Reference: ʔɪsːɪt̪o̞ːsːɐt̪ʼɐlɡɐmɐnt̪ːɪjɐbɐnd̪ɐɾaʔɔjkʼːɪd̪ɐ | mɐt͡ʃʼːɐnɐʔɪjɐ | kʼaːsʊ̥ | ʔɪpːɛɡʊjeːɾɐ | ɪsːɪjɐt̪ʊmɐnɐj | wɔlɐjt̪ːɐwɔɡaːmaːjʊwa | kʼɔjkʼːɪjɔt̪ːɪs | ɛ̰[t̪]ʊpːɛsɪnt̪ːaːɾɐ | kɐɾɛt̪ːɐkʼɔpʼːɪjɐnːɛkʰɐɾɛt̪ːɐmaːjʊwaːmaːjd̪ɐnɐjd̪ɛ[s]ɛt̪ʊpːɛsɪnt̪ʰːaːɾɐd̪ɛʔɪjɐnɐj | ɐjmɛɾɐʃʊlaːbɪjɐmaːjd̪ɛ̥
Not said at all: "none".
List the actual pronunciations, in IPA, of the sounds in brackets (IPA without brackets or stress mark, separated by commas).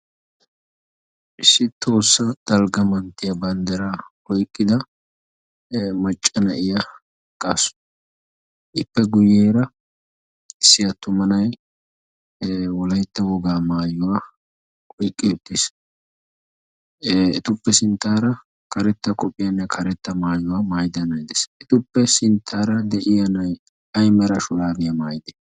t̪, s